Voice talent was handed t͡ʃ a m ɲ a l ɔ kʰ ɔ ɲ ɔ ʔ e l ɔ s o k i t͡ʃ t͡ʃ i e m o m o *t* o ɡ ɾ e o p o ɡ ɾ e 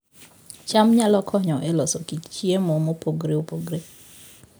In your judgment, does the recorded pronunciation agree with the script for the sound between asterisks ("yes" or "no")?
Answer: no